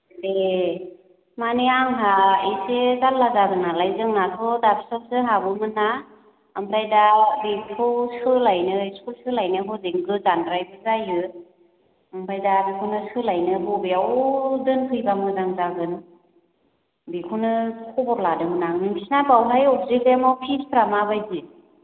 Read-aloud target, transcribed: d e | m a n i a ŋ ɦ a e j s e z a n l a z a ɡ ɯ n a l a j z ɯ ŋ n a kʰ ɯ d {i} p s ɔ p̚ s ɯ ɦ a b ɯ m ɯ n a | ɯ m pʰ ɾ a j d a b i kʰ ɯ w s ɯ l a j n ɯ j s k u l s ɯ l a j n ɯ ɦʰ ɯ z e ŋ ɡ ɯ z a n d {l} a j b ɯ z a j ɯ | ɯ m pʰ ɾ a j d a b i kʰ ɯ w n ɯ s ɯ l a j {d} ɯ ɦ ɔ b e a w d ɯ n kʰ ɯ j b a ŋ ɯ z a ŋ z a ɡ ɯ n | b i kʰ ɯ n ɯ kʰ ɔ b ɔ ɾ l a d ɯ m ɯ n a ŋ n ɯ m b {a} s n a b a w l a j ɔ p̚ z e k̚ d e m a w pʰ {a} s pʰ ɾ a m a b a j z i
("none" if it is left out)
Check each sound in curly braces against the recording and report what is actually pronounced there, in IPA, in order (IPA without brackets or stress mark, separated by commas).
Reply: a, ɾ, n, i, i